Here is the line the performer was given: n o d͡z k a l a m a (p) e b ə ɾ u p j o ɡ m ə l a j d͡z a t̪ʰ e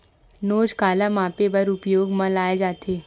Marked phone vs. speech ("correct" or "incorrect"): correct